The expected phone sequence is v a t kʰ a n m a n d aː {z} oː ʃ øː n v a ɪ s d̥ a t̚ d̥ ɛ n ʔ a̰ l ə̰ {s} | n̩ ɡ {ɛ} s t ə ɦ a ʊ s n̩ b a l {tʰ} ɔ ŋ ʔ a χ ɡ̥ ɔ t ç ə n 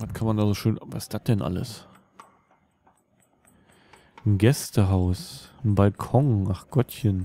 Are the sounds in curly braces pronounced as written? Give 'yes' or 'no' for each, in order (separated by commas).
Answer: yes, yes, yes, no